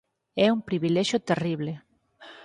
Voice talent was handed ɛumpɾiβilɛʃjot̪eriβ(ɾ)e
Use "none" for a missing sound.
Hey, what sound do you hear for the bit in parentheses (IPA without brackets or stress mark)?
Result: l